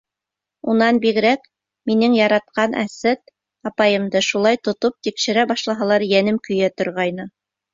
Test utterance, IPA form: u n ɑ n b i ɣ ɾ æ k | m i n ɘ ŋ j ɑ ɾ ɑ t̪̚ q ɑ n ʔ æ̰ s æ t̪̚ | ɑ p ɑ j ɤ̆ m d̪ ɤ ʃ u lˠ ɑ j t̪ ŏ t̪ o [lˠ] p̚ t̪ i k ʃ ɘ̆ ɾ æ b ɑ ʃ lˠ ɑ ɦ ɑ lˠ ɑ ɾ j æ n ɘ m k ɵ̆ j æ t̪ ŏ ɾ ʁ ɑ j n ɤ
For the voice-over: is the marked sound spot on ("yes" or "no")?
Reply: no